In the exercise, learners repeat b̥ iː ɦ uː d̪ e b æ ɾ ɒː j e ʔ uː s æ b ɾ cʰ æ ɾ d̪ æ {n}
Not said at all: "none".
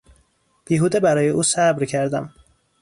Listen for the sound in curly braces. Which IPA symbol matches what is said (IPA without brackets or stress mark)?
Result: m